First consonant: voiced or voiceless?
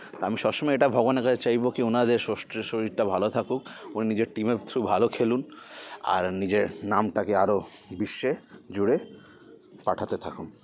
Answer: voiceless